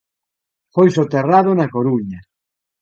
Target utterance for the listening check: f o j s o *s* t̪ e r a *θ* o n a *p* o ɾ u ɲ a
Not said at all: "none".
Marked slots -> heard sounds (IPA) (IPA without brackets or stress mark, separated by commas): none, ð, k